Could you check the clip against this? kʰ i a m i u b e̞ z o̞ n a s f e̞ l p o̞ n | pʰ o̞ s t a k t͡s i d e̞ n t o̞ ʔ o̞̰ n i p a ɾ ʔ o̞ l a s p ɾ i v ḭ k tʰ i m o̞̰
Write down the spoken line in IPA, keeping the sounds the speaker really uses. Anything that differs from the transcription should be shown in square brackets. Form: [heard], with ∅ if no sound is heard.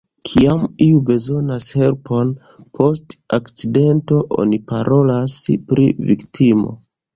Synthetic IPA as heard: kʰ i a m i u b e̞ z o̞ n a s [h] e̞ l p o̞ n | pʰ o̞ s t a k t͡s i d e̞ n t o̞ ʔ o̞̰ n i p a ɾ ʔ o̞ l a s p ɾ i v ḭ k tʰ i m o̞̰